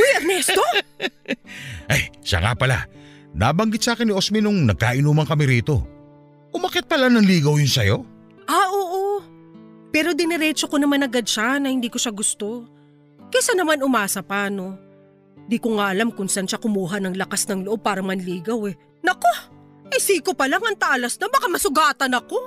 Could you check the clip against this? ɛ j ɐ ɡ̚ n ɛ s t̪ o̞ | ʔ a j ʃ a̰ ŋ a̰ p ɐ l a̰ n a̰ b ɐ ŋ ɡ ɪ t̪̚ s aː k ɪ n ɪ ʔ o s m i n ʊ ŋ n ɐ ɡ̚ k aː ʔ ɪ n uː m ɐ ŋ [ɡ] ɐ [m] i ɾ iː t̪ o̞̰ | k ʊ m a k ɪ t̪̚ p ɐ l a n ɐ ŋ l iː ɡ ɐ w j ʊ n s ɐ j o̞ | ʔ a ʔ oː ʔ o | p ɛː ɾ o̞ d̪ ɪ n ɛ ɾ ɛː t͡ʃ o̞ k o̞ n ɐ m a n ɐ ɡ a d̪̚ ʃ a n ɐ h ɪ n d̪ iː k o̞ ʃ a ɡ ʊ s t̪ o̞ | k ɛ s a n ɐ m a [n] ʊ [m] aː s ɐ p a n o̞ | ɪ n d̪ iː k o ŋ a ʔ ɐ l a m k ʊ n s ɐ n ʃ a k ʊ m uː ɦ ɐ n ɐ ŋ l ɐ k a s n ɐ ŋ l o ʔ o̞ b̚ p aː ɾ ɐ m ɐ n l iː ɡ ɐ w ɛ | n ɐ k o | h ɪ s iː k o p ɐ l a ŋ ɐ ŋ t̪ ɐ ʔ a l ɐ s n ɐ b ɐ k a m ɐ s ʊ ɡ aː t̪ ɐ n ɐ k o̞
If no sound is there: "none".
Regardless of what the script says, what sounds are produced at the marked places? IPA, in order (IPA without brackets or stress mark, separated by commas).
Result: k, m, n, m